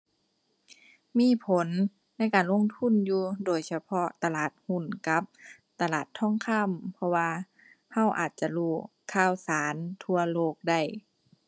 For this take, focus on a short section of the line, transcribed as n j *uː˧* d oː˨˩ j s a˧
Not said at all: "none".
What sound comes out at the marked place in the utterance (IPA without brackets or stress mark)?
uː˧